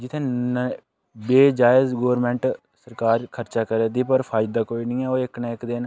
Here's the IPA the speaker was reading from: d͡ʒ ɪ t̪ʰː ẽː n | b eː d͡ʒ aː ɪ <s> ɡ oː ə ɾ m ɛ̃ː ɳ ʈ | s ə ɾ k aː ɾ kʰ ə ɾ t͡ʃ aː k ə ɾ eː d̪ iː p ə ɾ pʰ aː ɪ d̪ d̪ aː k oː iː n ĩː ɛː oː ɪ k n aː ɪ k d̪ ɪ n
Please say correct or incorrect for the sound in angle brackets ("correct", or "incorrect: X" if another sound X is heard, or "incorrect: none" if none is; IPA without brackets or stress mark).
incorrect: z